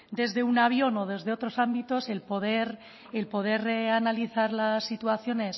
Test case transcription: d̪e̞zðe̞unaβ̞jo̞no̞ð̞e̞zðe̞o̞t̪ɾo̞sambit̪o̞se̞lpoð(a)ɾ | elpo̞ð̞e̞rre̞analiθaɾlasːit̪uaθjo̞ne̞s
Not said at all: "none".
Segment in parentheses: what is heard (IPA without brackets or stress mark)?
e